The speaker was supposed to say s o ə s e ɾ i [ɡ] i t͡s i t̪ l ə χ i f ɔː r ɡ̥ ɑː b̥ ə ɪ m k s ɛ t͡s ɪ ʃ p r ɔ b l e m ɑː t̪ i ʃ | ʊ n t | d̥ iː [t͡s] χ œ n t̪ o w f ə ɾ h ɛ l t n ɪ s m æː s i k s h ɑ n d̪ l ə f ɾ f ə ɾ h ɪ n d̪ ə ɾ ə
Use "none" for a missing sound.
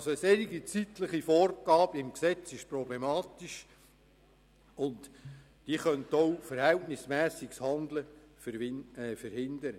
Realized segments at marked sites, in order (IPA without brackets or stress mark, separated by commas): ɡ, none